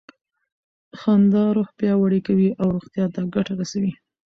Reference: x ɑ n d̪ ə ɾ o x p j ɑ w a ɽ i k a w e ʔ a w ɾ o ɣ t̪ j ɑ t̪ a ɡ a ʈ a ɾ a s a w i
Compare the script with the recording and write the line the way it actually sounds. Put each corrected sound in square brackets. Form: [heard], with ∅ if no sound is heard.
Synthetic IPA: x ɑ n d̪ [ɑ] ɾ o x p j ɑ w a ɽ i k a w [i] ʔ a w ɾ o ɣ t̪ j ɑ t̪ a ɡ a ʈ a ɾ a s a w i